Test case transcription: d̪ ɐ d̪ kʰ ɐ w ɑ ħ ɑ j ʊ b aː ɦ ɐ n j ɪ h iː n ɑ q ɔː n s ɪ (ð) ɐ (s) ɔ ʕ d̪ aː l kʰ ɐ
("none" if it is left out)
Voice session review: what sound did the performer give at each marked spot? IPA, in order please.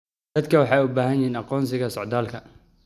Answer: ɣ, s

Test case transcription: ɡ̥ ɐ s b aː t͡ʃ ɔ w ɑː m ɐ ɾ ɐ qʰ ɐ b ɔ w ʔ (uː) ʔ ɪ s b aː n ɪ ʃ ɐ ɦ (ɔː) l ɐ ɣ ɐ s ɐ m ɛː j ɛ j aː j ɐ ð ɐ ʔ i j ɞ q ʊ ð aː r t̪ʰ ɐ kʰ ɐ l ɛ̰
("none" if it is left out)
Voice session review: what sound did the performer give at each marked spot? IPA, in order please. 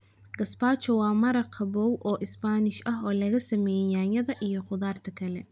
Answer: ɔː, ɔː

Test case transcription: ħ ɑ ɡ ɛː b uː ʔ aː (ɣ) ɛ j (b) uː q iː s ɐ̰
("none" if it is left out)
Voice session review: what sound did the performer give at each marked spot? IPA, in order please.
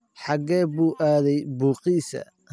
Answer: ð, b

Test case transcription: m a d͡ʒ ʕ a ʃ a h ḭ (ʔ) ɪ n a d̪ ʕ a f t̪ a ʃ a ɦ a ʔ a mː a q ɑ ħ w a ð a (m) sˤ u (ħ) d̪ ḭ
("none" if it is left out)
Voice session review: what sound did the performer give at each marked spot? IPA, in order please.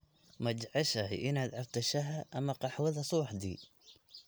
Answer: ʔ, none, ħ

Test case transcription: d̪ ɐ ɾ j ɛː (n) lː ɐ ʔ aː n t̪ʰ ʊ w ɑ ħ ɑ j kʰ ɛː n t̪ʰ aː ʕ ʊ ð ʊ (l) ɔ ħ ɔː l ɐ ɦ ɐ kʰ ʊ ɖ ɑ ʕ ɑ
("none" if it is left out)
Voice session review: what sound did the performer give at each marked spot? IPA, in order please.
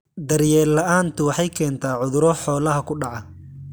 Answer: none, ɾ

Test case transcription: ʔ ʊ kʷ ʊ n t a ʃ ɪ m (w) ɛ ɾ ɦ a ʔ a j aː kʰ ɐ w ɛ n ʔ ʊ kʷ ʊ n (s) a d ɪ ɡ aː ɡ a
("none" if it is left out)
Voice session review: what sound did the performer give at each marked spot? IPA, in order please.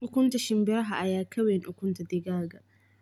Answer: b, t

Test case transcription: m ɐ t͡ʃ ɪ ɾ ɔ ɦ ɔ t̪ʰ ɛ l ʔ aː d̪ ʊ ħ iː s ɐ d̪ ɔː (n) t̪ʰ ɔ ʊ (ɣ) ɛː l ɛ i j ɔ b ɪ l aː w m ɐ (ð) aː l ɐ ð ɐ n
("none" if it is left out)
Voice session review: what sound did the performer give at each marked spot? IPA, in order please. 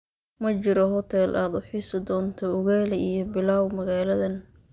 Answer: n, ɣ, ɣ

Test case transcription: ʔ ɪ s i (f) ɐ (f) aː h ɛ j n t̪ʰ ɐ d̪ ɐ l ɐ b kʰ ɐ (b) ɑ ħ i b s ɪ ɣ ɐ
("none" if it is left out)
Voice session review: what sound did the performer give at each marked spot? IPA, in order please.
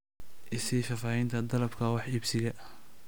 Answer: f, f, w

